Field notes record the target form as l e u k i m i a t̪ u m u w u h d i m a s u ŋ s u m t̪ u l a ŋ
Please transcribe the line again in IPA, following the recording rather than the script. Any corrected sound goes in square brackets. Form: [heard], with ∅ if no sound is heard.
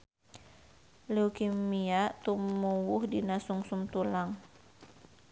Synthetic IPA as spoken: l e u k i m i a t̪ u m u w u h d i [n] a s u ŋ s u m t̪ u l a ŋ